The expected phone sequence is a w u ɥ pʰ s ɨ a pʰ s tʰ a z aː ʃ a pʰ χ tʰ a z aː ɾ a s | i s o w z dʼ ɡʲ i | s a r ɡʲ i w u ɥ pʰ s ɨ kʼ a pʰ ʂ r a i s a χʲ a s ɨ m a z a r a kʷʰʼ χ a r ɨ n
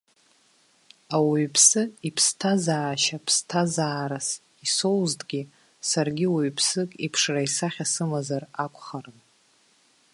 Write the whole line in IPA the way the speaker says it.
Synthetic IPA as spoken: a w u ɥ pʰ s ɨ i pʰ s tʰ a z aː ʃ a pʰ s tʰ a z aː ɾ a s | i s o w z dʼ ɡʲ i | s a r ɡʲ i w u ɥ pʰ s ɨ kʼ i pʰ ʂ r a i s a χʲ a s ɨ m a z a r a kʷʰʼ χ a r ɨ n